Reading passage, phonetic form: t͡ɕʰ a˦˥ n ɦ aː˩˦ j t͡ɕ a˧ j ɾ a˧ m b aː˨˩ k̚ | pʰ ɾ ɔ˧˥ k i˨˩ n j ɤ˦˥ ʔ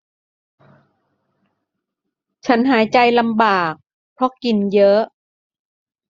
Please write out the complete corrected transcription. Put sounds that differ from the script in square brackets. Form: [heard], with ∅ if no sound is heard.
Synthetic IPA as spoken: t͡ɕʰ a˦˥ n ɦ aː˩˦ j t͡ɕ a˧ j [l] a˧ m b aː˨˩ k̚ | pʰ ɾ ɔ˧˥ k i˨˩ n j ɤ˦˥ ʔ